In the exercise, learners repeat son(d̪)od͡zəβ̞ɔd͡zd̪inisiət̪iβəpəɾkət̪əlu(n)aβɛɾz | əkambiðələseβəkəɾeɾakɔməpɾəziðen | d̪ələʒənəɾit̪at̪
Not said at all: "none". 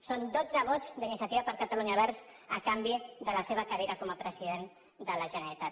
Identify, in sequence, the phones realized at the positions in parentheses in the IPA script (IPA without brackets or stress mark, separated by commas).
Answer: d̪, ɲ